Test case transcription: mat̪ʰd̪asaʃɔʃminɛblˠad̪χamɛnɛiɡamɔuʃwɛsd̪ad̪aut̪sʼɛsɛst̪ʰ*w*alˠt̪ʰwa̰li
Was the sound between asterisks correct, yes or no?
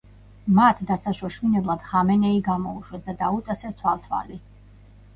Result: yes